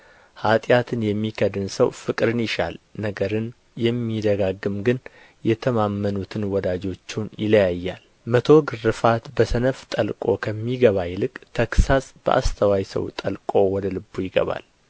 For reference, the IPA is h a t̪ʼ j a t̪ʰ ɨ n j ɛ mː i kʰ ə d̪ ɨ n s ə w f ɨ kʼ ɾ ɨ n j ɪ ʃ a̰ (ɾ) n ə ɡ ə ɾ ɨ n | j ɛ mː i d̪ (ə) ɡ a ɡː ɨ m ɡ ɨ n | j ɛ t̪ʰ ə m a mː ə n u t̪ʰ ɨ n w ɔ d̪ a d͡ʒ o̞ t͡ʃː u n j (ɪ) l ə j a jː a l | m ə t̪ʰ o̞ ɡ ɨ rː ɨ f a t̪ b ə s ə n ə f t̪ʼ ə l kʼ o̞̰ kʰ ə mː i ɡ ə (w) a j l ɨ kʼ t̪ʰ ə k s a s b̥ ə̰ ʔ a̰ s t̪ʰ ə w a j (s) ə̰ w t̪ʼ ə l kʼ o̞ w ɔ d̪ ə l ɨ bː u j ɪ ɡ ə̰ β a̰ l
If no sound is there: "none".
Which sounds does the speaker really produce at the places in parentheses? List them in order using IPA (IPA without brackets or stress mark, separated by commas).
l, ə, ɪ, β, s